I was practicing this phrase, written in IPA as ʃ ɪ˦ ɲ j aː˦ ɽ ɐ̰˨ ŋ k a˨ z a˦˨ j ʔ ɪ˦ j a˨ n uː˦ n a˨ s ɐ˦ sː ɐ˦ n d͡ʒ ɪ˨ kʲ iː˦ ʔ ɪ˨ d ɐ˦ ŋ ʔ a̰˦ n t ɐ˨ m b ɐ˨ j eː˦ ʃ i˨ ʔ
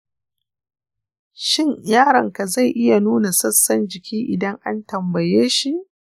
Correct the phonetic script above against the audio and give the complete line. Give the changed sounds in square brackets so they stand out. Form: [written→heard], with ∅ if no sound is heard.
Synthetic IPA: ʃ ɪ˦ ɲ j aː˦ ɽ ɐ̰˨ ŋ k a˨ z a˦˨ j ʔ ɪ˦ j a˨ n uː˦ n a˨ s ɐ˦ sː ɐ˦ n d͡ʒ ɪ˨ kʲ iː˦ ʔ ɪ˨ d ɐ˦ ŋ ʔ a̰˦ n t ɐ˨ m b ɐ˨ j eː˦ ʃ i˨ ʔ